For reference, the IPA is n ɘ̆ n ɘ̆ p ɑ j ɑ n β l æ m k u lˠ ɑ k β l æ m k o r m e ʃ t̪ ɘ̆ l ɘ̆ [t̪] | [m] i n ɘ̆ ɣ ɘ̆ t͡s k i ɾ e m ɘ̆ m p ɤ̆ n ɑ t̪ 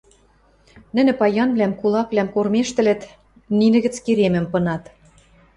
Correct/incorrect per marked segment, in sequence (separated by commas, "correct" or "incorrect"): correct, incorrect